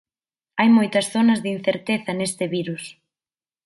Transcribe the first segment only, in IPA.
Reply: a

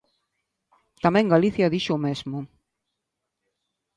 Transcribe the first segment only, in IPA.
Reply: t̪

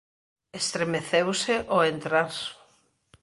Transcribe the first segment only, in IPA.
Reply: e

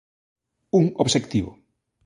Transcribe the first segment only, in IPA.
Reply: u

